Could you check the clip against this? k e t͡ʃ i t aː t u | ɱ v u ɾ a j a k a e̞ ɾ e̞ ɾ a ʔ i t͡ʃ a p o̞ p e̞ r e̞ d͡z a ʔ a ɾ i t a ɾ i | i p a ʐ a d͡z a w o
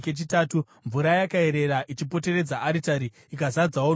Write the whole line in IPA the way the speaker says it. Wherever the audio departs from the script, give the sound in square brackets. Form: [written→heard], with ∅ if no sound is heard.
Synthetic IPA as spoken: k e t͡ʃ i t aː t u | ɱ v u ɾ a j a k a e̞ ɾ e̞ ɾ a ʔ i t͡ʃ [a→i] p o̞ [p→t] e̞ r e̞ d͡z a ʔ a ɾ i t a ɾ i | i [p→k] a [ʐ→z] a d͡z a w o